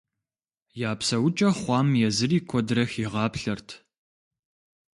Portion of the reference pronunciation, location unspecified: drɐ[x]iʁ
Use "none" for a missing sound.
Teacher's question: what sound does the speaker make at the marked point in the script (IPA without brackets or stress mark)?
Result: x